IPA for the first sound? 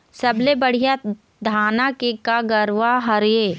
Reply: s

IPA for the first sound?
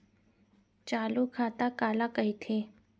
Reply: t͡ʃ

